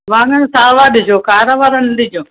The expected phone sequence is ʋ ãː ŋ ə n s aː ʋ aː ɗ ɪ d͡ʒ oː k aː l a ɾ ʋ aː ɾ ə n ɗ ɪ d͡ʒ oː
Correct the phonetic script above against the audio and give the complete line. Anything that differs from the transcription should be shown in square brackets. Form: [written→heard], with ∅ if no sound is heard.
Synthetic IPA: ʋ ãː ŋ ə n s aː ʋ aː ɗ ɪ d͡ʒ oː k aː [l→ɾ] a [ɾ→∅] ʋ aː ɾ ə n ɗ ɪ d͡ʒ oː